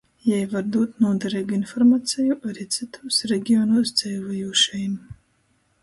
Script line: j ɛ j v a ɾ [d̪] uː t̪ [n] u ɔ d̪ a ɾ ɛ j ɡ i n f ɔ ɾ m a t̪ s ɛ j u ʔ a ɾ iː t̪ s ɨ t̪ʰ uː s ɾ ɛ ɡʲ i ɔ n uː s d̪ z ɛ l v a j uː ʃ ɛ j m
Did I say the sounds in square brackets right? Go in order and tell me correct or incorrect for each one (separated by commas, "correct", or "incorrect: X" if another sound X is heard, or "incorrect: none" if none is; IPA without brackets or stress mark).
correct, correct